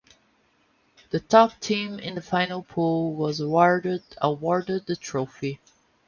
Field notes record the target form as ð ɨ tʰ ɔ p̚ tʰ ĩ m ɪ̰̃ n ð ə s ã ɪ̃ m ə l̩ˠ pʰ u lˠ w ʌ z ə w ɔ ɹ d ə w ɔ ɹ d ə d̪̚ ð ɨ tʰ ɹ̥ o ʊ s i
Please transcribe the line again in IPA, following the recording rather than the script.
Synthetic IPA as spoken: ð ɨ tʰ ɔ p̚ tʰ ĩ m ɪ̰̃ n ð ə f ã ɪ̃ n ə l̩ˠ pʰ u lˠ w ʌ z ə w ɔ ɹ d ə w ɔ ɹ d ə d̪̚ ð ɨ tʰ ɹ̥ o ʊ f i